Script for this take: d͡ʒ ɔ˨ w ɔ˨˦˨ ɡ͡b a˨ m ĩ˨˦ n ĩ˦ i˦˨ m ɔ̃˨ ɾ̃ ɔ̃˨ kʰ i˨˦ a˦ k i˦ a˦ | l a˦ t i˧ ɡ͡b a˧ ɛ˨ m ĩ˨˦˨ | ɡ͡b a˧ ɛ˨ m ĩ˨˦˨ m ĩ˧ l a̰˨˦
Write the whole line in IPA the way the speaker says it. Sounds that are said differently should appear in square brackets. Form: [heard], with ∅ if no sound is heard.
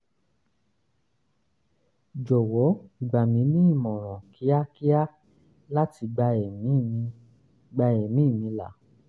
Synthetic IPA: d͡ʒ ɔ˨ w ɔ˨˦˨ ɡ͡b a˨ m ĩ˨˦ n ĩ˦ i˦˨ m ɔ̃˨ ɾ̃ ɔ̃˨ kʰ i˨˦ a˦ k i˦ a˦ | l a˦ t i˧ ɡ͡b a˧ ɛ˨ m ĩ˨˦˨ | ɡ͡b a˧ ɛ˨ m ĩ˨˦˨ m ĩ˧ l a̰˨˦